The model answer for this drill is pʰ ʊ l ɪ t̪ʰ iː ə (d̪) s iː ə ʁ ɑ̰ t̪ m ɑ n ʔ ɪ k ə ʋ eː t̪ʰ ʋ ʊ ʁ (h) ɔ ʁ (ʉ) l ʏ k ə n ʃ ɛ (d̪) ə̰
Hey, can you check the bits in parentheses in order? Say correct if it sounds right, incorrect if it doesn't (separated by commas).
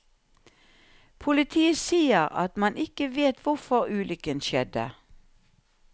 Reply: incorrect, incorrect, incorrect, correct